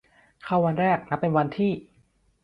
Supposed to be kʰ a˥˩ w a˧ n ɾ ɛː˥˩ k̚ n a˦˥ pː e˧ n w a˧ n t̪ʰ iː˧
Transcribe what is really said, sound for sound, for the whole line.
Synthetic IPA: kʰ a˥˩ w a˧ n ɾ ɛː˥˩ k̚ n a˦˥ pː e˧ n w a˧ n t̪ʰ iː˥˩

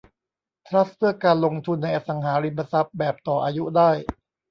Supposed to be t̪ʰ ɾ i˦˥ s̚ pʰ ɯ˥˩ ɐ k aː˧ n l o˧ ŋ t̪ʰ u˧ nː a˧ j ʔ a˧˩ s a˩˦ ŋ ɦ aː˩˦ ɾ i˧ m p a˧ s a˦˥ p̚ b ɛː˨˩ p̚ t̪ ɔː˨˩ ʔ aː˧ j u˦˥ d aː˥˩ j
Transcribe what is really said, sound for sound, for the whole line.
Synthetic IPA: t̪ʰ ɾ a˦˥ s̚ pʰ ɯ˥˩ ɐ k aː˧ n l o˧ ŋ t̪ʰ u˧ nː a˧ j ʔ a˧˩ s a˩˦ ŋ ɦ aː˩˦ ɾ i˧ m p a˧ s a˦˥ p̚ b ɛː˨˩ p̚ t̪ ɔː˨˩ ʔ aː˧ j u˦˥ d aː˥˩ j

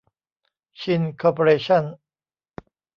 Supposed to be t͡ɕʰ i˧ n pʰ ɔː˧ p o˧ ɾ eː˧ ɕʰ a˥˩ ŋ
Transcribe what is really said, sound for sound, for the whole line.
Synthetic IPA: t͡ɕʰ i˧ n kʰ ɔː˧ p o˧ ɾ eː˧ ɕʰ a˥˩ n

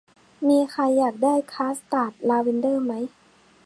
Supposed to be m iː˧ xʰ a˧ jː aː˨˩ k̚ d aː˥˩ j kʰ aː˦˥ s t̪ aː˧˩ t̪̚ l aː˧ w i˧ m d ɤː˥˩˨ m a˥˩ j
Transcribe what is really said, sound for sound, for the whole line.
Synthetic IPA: m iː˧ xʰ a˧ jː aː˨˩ k̚ d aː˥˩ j kʰ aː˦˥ s t̪ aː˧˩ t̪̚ l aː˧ w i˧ n d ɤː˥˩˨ m a˦˥ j

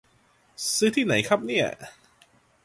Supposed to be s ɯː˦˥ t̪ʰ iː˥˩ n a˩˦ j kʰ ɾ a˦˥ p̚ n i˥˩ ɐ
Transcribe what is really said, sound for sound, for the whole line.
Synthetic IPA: s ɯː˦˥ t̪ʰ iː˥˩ n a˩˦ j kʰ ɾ a˦˥ p̚ n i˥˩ ɐ

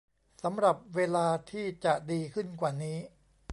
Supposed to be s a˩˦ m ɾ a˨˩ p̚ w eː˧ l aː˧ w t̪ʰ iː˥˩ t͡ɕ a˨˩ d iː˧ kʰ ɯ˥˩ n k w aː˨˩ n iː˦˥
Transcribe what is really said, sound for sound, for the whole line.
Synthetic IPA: s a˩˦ m ɾ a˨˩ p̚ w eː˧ l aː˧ t̪ʰ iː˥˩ t͡ɕ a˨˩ d iː˧ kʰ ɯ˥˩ n k w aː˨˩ n iː˦˥

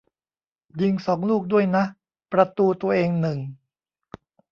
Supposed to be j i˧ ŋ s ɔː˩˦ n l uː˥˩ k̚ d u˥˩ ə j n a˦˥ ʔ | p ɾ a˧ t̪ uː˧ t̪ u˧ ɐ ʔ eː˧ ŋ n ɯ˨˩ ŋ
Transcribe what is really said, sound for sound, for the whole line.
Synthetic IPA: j i˧ ŋ s ɔː˩˦ ŋ l uː˥˩ k̚ d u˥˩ ə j n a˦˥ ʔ | p ɾ a˧ t̪ uː˧ t̪ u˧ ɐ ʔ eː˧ ŋ n ɯ˨˩ ŋ

